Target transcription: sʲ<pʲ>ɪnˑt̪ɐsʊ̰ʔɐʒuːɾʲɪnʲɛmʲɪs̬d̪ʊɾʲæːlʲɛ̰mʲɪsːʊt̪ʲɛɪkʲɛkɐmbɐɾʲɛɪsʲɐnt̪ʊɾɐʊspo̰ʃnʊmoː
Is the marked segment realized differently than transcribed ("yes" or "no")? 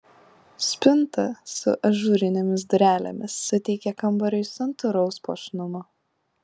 no